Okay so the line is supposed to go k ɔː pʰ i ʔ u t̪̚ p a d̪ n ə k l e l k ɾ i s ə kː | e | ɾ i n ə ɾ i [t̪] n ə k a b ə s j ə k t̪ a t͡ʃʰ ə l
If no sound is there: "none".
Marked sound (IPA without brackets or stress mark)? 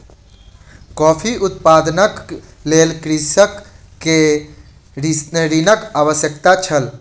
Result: none